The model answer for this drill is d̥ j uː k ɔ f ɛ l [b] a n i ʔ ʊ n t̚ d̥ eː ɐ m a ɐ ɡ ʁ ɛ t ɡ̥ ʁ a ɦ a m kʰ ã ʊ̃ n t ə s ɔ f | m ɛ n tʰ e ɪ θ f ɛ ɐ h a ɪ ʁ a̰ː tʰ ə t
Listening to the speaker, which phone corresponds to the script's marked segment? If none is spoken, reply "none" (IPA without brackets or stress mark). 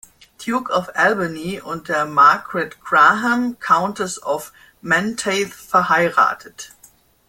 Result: b